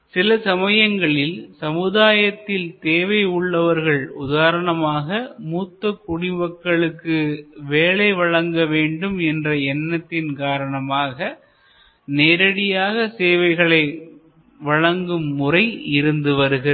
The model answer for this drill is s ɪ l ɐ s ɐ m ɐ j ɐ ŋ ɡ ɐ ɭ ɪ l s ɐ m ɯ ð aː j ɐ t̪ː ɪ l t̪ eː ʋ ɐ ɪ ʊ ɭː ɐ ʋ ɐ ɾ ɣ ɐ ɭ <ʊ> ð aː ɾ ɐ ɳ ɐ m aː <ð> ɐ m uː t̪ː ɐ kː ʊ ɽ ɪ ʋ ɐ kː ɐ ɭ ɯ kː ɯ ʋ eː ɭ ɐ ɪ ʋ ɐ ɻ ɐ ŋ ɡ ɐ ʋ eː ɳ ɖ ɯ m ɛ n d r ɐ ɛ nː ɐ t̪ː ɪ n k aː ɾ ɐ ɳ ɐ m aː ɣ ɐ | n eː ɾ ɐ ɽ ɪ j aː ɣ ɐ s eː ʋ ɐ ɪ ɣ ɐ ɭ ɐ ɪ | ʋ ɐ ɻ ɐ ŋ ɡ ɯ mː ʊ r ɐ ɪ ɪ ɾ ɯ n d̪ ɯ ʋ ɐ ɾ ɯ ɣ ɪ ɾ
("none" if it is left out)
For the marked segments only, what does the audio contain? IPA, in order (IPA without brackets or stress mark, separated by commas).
ʊ, ɣ